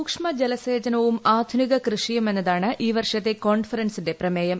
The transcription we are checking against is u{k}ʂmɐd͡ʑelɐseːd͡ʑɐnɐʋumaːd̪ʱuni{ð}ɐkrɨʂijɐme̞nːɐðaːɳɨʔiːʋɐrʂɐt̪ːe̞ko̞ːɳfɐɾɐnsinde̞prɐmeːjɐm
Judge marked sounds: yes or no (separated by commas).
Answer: yes, no